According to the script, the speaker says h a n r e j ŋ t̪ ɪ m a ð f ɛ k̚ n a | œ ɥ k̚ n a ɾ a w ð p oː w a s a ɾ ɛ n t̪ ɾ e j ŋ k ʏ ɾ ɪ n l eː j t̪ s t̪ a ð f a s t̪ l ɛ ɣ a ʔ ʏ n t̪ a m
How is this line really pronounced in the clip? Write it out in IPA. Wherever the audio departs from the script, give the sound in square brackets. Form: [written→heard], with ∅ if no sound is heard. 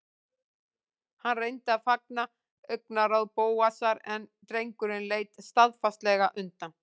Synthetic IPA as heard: h a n r e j [ŋ→n] t̪ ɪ [m→∅] a ð f [ɛ→a] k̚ n a | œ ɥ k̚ n a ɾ a w ð p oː w a s a ɾ ɛ n t̪ ɾ e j ŋ k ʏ ɾ ɪ n l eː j t̪ s t̪ a ð f a s t̪ l ɛ ɣ a ʔ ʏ n t̪ a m